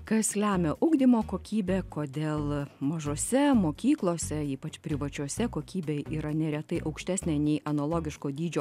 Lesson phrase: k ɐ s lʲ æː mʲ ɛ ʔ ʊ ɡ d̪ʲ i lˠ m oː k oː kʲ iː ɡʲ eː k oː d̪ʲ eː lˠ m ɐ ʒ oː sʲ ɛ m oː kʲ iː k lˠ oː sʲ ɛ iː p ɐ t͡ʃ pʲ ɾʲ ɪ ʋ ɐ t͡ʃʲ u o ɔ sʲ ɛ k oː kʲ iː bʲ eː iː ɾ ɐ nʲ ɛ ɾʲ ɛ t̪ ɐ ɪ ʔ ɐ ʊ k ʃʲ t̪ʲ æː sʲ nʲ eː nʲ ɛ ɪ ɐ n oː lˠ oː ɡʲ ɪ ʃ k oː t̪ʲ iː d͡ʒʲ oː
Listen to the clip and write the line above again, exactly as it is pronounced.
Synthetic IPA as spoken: k ɐ s lʲ æː mʲ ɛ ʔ ʊ ɡ d̪ʲ i m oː k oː kʲ iː bʲ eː k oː d̪ʲ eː lˠ m ɐ ʒ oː sʲ ɛ m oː kʲ iː k lˠ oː sʲ ɛ iː p ɐ t͡ʃ pʲ ɾʲ ɪ ʋ ɐ t͡ʃʲ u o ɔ sʲ ɛ k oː kʲ iː bʲ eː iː ɾ ɐ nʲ ɛ ɾʲ ɛ t̪ ɐ ɪ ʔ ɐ ʊ k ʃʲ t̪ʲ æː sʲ nʲ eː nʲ ɛ ɪ ɐ n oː lˠ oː ɡʲ ɪ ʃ k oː d̪ʲ iː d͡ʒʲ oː